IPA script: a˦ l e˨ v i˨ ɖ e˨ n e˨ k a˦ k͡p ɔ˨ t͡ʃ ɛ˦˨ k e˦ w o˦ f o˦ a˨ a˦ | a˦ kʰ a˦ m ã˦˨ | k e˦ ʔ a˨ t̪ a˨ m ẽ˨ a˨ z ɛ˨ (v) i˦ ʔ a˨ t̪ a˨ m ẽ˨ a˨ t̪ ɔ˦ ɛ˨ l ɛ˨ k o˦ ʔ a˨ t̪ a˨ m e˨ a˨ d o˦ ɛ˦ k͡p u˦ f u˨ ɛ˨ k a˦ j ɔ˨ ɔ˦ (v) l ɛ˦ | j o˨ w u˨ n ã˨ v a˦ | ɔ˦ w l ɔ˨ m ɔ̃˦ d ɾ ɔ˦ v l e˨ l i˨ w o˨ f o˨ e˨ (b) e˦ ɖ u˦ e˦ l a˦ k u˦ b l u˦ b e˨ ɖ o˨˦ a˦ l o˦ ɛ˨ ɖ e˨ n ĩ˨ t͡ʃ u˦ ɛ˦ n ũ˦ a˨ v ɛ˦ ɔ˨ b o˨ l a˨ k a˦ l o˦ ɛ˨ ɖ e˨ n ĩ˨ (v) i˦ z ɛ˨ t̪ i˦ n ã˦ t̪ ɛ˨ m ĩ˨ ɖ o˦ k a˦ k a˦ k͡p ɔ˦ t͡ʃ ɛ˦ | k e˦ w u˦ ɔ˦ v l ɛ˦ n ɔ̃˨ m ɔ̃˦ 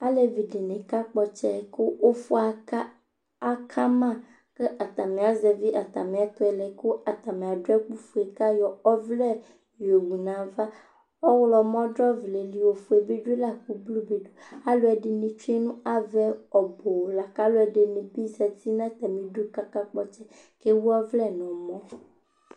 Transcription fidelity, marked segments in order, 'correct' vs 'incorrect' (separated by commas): correct, correct, correct, incorrect